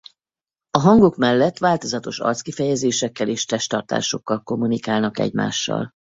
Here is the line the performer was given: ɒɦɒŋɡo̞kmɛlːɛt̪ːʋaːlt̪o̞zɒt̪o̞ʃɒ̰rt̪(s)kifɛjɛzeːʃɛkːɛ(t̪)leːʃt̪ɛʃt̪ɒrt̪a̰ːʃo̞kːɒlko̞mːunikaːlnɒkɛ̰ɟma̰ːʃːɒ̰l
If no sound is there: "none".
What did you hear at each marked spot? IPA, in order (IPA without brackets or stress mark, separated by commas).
s, none